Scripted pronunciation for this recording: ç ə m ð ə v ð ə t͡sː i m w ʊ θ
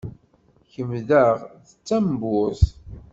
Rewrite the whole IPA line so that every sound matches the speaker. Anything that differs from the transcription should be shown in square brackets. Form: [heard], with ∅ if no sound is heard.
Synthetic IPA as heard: ç ə m ð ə [ʁ] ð ə t͡sː [æ] m [b] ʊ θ